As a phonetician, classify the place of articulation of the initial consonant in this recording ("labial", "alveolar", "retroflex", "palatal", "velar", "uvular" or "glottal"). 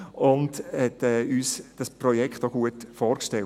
alveolar